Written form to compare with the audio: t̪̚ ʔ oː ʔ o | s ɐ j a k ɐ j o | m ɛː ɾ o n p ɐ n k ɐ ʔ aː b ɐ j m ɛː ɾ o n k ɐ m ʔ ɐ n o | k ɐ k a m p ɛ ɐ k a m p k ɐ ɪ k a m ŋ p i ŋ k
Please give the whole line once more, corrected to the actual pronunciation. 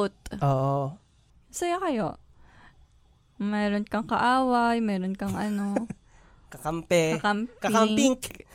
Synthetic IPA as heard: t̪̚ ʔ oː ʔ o | s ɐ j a k ɐ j o | m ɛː ɾ o n k ɐ ŋ k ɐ ʔ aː w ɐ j m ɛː ɾ o n k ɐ ŋ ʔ ɐ n o | k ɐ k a m p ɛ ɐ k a m p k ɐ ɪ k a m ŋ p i ŋ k